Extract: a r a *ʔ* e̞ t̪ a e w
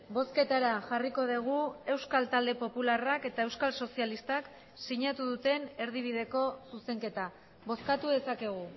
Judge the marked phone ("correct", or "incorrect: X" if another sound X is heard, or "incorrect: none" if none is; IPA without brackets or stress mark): incorrect: k